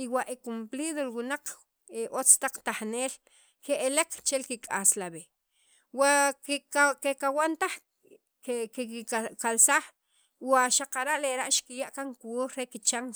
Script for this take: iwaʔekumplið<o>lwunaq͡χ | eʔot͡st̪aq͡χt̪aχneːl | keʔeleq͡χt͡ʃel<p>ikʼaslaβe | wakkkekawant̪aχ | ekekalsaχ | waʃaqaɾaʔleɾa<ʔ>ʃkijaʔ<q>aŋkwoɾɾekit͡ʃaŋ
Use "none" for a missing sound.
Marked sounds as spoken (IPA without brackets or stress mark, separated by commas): o, k, ʔ, k